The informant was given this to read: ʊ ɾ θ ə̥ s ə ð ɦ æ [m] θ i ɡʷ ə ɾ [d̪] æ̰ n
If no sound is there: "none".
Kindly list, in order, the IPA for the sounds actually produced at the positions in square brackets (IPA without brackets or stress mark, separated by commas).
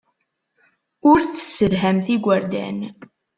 m, d̪